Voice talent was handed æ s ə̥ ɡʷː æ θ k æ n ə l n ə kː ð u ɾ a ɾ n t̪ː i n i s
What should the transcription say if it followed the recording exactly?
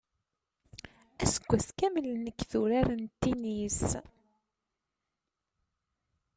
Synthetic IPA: æ s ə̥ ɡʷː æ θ k æ m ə l n ə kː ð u ɾ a ɾ n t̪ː i n i s